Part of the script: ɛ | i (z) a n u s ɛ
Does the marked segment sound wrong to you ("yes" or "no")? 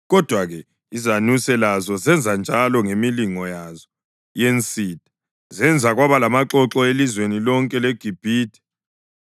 no